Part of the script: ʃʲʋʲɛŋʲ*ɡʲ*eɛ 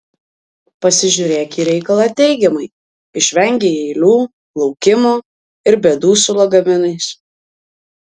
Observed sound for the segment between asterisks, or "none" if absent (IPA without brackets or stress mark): ɡʲ